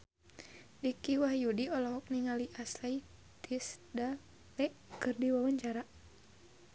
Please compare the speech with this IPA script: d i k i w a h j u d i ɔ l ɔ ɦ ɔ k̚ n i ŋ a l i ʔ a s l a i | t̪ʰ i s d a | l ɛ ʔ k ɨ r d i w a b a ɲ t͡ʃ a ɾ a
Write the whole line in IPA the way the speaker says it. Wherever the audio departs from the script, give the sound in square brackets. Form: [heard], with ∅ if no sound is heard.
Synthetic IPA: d i k i w a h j u d i ɔ l ɔ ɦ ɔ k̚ n i ŋ a l i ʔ a s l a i | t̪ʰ i s d a | l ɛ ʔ k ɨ r d i w a [w] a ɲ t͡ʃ a ɾ a